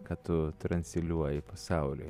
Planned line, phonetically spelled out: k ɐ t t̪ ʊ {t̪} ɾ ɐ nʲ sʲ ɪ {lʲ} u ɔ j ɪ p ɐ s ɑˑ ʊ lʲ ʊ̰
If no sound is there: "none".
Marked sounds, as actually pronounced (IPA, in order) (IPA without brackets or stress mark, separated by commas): t̪, lʲ